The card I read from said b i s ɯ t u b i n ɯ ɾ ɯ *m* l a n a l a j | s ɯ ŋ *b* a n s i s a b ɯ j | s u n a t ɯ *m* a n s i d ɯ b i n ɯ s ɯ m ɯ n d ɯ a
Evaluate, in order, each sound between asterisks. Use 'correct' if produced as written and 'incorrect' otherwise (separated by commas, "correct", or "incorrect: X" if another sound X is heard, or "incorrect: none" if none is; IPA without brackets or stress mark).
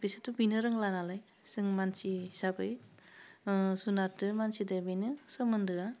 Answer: incorrect: ŋ, incorrect: m, correct